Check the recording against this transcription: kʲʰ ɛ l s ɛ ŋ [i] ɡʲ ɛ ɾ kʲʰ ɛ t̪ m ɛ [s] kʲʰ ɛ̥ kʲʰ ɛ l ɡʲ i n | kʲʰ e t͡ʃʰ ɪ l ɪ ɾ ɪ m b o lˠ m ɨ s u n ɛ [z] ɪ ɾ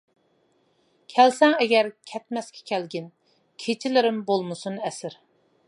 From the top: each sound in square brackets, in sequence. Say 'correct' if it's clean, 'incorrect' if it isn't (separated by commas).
incorrect, correct, incorrect